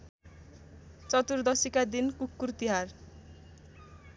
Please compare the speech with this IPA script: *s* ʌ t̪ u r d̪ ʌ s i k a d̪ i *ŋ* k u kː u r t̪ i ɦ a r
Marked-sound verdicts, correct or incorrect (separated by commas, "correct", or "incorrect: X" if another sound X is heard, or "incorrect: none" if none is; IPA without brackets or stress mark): incorrect: t͡s, incorrect: n